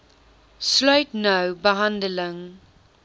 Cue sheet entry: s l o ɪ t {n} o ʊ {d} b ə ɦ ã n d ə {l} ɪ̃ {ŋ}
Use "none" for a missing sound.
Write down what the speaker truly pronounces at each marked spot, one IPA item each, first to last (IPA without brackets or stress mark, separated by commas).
n, none, l, ŋ